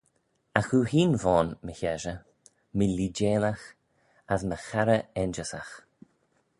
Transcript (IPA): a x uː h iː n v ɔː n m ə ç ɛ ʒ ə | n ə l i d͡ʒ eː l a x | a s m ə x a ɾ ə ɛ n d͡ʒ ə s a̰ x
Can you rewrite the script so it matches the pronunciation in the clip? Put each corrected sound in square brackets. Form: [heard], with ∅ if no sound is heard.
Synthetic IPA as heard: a x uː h iː n v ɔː n m ə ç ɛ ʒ ə | [m] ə l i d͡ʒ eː l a x | a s m ə x a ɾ ə ɛ n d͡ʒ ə s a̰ x